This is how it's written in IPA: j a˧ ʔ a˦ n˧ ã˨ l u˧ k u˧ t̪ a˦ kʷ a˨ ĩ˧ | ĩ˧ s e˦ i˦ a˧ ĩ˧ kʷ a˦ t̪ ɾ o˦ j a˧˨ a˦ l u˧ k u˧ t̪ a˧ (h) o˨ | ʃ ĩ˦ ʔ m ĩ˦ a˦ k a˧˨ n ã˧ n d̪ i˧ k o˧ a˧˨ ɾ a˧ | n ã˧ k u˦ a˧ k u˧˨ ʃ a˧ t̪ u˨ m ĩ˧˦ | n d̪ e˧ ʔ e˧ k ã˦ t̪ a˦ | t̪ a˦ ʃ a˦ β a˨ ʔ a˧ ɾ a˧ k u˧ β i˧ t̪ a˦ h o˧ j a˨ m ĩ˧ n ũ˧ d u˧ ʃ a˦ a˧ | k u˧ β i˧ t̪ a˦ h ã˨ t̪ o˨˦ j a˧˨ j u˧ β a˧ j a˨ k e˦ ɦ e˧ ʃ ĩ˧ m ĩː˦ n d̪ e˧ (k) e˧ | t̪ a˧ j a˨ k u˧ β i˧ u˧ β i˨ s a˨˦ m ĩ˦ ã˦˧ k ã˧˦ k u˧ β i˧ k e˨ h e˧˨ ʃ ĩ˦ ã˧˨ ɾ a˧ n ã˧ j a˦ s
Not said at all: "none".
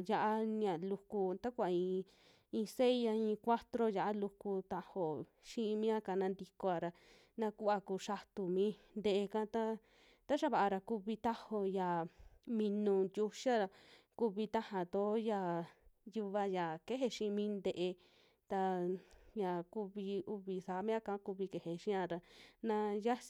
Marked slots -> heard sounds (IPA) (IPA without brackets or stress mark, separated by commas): h, ʔ